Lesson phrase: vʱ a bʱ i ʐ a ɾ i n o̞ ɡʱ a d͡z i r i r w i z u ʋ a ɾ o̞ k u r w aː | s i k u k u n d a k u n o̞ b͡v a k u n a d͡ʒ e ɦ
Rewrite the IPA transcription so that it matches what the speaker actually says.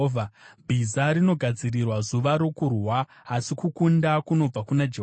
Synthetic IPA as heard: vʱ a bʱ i z a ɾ i n o̞ ɡʱ a d͡z i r i r w a z u ʋ a ɾ o̞ k u r w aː | s i k u k u n d a k u n o̞ b͡v a k u n a d͡ʒ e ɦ